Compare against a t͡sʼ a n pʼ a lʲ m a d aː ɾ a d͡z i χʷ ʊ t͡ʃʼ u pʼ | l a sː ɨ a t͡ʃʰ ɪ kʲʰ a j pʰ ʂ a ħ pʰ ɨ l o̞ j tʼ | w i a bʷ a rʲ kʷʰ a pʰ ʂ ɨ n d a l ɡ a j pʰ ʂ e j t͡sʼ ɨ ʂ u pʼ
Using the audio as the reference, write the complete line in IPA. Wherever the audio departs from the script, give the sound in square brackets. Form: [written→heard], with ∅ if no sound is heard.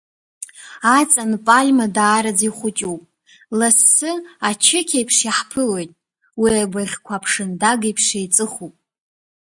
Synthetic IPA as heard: a t͡sʼ a n pʼ a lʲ m a d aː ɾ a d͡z i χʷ ʊ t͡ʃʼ u pʼ | l a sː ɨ a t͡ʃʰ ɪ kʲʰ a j pʰ ʂ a ħ pʰ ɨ l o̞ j tʼ | w i a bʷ a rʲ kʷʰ a pʰ ʂ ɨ n d a [l→∅] ɡ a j pʰ ʂ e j t͡sʼ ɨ [ʂ→χ] u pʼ